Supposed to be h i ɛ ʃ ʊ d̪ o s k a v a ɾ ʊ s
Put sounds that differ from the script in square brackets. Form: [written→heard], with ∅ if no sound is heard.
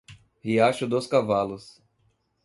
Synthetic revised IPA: h i [ɛ→a] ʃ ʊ d̪ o s k a v a [ɾ→l] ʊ s